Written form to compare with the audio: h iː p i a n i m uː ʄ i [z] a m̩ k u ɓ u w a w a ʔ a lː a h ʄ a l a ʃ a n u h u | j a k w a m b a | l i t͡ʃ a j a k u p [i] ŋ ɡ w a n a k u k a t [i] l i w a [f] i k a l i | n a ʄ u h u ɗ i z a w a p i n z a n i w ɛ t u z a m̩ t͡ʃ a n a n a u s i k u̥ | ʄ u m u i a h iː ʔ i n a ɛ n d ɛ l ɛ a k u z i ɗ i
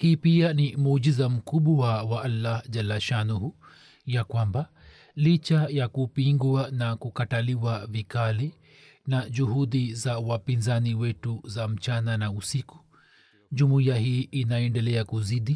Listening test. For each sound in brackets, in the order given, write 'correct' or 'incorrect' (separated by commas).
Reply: correct, correct, incorrect, incorrect